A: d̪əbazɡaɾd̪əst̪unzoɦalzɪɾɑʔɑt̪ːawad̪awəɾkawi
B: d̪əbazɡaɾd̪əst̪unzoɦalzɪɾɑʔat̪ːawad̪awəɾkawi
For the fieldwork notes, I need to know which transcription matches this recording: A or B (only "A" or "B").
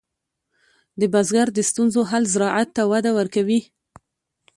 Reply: B